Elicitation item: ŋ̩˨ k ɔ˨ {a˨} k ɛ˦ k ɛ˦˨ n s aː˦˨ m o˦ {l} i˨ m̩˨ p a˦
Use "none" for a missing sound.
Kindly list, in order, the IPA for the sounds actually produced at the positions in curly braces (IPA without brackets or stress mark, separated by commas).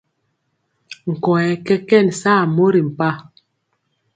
ɛ˨, ɾ